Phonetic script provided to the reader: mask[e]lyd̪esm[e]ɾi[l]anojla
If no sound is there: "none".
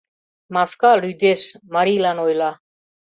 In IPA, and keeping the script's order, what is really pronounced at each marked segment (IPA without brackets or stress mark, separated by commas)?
a, a, l